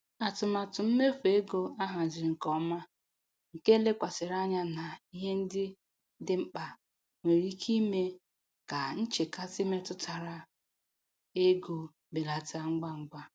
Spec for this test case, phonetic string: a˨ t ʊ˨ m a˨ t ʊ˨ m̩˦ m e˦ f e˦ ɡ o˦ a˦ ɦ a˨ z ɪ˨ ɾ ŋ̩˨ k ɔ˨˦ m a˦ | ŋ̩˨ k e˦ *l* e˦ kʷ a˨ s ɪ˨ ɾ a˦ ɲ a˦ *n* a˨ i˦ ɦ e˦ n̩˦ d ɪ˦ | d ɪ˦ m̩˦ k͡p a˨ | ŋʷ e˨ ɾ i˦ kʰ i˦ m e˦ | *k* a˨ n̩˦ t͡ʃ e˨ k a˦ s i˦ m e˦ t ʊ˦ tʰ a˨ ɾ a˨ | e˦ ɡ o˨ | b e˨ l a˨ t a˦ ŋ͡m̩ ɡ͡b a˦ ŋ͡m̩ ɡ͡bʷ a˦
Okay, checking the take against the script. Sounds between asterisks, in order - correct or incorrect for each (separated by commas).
correct, correct, correct